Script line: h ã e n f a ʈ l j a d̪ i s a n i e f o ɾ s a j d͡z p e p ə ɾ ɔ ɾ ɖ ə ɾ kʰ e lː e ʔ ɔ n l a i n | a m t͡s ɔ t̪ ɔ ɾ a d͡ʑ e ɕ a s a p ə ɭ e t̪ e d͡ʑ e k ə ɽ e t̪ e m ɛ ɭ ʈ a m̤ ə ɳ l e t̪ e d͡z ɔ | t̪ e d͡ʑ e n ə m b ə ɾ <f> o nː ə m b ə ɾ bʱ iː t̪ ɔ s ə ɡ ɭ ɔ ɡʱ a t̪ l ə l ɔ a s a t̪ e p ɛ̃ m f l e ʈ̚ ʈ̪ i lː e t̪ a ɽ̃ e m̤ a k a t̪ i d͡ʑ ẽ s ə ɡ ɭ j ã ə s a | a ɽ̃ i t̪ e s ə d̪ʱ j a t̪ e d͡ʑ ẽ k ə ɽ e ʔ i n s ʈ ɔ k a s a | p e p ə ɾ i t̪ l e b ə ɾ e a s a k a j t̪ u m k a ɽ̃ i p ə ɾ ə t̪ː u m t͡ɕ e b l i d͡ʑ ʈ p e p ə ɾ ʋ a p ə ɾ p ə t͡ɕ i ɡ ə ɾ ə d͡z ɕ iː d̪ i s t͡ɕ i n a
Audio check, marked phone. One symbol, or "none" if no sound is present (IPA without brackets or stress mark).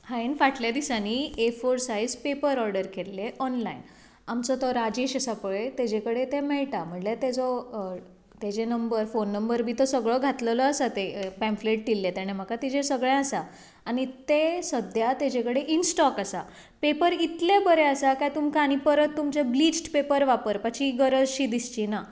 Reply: f